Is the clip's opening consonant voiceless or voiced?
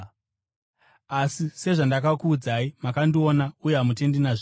voiceless